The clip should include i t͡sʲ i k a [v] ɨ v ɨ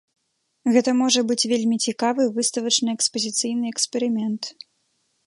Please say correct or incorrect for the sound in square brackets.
correct